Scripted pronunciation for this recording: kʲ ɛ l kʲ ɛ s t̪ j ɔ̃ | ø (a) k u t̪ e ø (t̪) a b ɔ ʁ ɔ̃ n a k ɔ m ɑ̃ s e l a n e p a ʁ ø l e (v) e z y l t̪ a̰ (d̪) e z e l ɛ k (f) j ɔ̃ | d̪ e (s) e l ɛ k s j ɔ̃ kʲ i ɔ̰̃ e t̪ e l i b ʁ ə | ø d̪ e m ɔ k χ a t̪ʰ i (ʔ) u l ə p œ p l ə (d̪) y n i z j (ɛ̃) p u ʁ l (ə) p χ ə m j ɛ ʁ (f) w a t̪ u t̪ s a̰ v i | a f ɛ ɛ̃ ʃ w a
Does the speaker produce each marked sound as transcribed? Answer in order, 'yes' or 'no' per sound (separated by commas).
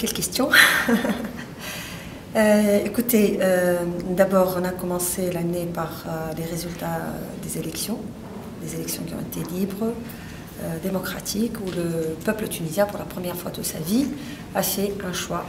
no, no, no, yes, no, no, no, no, yes, no, yes